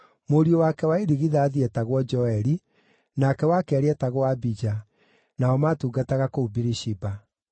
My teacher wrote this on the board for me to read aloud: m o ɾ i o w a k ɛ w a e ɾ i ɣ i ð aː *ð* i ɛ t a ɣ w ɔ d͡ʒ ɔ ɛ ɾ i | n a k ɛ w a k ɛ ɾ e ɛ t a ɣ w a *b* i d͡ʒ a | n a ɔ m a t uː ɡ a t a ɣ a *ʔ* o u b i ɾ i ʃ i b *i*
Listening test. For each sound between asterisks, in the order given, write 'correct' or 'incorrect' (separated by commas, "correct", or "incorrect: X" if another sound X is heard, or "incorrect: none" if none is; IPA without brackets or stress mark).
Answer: correct, correct, incorrect: k, incorrect: a